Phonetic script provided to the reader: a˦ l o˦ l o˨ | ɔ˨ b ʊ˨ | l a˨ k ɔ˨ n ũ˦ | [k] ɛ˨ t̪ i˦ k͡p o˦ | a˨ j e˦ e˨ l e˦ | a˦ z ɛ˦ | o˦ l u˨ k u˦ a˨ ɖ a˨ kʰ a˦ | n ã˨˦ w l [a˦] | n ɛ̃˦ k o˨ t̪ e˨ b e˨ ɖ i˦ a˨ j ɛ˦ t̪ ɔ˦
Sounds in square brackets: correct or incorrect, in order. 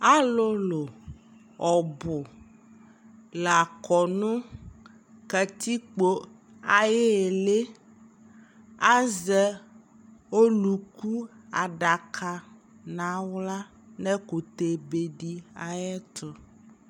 correct, correct

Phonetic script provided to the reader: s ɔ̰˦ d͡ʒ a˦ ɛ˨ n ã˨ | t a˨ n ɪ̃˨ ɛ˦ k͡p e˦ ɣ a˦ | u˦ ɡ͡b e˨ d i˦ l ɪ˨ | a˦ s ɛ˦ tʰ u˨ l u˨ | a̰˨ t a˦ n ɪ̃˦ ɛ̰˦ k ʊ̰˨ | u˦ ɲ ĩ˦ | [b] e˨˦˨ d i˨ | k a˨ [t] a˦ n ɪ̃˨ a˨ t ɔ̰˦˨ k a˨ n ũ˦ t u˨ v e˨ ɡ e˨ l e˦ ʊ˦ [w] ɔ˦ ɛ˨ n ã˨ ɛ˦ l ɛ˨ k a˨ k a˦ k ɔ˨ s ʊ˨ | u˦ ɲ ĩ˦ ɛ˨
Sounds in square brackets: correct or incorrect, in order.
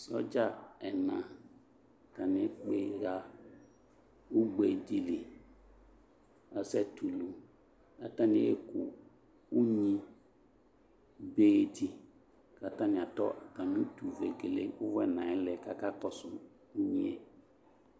correct, correct, incorrect: v

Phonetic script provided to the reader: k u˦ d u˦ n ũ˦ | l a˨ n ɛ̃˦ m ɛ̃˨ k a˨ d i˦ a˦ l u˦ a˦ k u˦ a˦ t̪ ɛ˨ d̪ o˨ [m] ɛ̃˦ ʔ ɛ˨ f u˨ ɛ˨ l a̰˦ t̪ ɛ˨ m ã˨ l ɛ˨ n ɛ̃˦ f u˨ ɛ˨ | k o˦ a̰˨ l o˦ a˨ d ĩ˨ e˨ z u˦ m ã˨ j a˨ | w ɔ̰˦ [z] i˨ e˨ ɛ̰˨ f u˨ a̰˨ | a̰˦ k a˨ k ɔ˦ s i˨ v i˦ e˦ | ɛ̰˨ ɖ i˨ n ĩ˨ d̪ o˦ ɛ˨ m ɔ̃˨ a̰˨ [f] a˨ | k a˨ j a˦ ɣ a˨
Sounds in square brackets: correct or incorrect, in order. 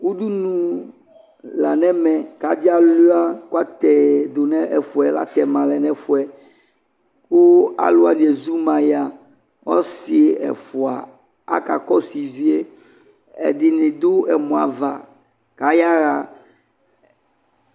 incorrect: n, incorrect: s, incorrect: v

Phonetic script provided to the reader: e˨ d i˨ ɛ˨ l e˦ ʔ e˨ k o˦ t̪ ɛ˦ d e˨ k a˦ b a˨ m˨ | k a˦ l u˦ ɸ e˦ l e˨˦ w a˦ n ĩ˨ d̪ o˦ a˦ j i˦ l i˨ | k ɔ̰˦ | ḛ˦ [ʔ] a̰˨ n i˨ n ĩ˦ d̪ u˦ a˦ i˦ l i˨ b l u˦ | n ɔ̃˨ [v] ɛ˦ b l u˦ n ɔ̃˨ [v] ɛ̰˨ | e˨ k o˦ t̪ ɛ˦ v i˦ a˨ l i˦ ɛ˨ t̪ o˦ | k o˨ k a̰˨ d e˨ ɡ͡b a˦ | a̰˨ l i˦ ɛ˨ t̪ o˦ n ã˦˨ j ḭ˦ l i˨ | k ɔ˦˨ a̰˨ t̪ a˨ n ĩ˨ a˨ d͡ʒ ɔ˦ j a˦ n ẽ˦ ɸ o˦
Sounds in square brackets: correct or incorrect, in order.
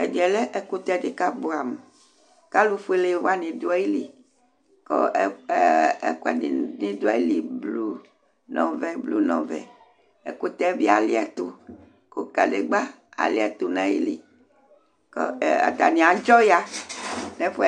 incorrect: k, correct, correct

